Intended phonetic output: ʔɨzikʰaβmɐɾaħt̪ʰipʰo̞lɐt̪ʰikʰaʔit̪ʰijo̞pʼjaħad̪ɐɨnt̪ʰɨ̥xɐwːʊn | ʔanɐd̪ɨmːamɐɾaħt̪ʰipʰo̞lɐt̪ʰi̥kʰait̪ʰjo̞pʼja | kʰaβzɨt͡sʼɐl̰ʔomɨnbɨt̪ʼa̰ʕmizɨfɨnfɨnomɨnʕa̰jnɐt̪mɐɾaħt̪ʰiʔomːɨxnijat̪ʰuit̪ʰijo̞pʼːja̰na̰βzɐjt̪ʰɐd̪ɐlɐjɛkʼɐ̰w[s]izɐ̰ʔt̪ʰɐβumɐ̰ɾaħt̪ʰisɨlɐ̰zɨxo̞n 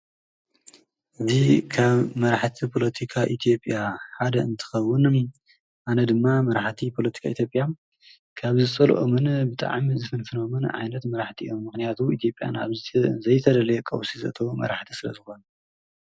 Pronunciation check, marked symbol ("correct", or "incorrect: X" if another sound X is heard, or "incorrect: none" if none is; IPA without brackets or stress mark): correct